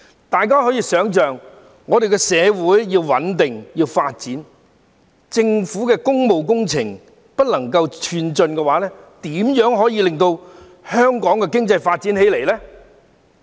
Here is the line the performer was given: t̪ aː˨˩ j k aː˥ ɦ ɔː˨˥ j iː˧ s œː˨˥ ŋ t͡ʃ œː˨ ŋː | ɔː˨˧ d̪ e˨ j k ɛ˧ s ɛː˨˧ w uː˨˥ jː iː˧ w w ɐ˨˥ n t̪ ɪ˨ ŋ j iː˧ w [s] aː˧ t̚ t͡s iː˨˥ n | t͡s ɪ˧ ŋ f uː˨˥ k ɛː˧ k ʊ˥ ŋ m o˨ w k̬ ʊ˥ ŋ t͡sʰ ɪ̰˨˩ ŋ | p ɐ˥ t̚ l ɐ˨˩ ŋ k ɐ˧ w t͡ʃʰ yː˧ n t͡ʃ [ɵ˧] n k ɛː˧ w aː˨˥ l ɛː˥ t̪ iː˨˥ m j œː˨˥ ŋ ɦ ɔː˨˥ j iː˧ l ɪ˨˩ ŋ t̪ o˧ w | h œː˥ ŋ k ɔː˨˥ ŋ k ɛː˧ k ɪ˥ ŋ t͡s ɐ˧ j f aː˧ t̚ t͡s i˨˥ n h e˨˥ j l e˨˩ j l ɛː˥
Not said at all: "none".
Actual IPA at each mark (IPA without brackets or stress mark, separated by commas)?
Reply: f, ɵ˧